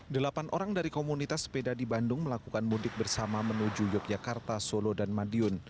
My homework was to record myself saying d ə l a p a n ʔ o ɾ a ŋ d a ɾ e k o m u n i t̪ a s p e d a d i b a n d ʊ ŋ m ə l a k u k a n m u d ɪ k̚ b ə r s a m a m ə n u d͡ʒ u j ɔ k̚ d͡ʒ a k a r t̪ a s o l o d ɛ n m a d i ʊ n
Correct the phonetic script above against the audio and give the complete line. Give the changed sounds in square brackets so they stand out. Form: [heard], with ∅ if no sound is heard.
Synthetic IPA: d ə l a p a n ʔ o ɾ a ŋ d a ɾ [i] k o m u n i t̪ a s p e d a d i b a n d ʊ ŋ m ə l a k u k a n m u d ɪ k̚ b ə r s a m a m ə n u d͡ʒ u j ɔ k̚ d͡ʒ a k a r t̪ a s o l o d [a] n m a d i ʊ n

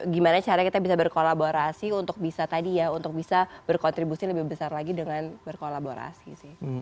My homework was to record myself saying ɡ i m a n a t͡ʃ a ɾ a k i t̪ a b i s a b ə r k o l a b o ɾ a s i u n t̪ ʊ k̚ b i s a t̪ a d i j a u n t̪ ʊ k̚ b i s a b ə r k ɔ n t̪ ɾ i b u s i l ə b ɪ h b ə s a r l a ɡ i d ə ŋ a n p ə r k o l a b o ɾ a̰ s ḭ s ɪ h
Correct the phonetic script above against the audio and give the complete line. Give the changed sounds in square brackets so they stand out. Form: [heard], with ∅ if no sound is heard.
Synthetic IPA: ɡ i m a n a t͡ʃ a ɾ a k i t̪ a b i s a b ə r k o l a b o ɾ a s i u n t̪ ʊ k̚ b i s a t̪ a d i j a u n t̪ ʊ k̚ b i s a b ə r k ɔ n t̪ ɾ i b u s i l ə b ɪ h b ə s a r l a ɡ i d ə ŋ a n [b] ə r k o l a b o ɾ a̰ s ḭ s ɪ h

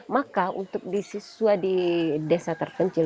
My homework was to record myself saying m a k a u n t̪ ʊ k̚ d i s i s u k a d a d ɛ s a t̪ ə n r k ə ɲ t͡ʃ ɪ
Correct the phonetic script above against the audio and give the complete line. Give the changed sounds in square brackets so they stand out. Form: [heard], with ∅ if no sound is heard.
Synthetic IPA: m a k a u n t̪ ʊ k̚ d i s i s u [∅] a d [i] d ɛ s a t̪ ə [∅] r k ə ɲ t͡ʃ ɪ

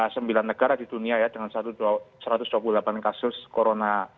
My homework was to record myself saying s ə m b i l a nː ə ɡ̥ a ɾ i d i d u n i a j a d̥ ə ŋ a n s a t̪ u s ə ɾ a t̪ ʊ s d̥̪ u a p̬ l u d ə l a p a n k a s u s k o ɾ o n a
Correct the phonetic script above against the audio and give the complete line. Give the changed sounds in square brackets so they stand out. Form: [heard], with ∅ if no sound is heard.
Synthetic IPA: s ə m b i l a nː ə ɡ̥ a ɾ [a] d i d u n i a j a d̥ ə ŋ a n s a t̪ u s ə ɾ a t̪ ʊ s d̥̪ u a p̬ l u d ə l a p a n k a s [ʊ] s k o ɾ o n a

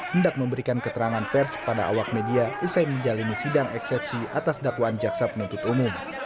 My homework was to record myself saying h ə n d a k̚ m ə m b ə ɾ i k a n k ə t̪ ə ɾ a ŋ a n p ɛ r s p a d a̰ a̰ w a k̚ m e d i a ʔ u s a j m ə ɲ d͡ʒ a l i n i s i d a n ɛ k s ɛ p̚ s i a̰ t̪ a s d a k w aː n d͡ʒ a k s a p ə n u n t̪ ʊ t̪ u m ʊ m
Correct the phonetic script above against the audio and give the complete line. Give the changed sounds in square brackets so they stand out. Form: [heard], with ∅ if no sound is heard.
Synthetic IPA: h ə n d a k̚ m ə m b ə ɾ i k a n k ə t̪ ə ɾ a ŋ a n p ɛ r s p a d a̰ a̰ w a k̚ m e d i a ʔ u s a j m ə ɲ d͡ʒ a l i n i s i d a [ŋ] ɛ k s ɛ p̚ s i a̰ t̪ a s d a k w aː n d͡ʒ a k s a p ə n u n t̪ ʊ t̪ u m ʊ m

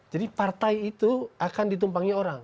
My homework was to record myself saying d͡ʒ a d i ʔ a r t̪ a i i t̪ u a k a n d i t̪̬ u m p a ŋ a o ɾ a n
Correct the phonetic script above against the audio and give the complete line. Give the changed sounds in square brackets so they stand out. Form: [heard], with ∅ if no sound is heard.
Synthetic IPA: d͡ʒ a d i [p] a r t̪ a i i t̪ u a k a n d i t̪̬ u m p a ŋ [i] o ɾ a [ŋ]

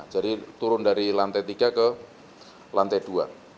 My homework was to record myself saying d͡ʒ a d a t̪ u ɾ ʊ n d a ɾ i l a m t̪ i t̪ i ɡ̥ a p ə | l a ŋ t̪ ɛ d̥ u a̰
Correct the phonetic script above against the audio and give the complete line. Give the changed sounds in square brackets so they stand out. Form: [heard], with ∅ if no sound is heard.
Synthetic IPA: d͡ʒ a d [i] t̪ u ɾ ʊ n d a ɾ i l a [n] t̪ [ɛ] t̪ i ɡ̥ a [k] ə | l a [n] t̪ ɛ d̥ u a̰

